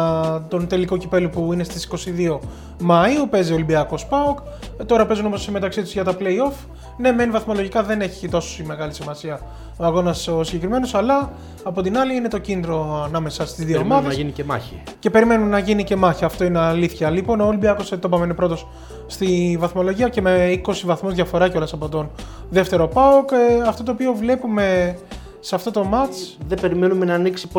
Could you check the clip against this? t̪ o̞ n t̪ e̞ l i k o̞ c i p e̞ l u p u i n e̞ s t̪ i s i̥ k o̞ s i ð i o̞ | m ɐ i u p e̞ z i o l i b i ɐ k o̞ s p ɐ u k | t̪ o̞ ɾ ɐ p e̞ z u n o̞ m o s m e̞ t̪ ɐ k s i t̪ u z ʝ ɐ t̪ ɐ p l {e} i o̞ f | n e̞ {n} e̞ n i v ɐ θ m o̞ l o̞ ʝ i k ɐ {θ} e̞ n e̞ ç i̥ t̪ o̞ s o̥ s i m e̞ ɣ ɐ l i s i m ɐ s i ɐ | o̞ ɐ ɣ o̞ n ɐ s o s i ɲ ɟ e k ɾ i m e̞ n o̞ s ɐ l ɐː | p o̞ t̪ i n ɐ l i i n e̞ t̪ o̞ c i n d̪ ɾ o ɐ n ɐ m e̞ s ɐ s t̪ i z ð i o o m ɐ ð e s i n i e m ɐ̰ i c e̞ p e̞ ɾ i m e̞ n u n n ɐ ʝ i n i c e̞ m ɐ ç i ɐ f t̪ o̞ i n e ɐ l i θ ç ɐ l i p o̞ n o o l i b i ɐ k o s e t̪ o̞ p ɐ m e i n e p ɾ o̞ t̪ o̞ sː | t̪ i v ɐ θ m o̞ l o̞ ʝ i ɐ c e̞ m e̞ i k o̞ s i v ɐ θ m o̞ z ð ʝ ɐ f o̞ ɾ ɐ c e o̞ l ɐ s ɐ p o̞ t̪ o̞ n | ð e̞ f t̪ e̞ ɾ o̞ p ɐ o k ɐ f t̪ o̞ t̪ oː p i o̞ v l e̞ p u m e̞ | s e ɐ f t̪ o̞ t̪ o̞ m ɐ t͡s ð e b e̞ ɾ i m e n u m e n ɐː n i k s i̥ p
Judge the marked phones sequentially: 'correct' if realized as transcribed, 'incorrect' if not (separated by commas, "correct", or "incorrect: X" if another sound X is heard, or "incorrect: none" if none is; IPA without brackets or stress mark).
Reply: correct, incorrect: m, incorrect: ð